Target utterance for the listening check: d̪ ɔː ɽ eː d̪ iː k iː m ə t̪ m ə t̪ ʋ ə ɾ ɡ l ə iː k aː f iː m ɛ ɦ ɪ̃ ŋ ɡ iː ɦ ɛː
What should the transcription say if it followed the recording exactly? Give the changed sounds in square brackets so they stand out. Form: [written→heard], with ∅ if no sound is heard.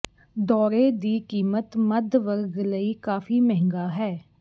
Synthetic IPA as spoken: d̪ ɔː [ɽ→ɾ] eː d̪ iː k iː m ə t̪ m ə [t̪→d̪] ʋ ə ɾ ɡ l ə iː k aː f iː m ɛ ɦ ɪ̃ ŋ ɡ [iː→aː] ɦ ɛː